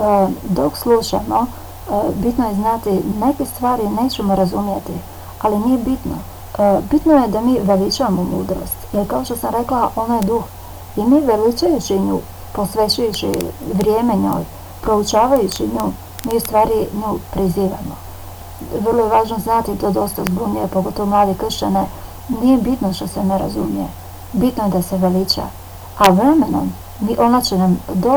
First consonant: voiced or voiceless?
voiced